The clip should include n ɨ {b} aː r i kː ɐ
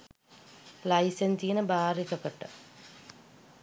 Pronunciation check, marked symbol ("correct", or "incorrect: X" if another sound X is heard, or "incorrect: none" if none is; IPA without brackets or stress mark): correct